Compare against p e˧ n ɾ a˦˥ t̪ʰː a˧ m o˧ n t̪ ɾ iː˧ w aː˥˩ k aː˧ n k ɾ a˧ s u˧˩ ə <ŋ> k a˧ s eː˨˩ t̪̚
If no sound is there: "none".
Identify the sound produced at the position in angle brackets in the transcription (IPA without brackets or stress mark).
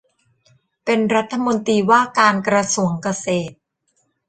ŋ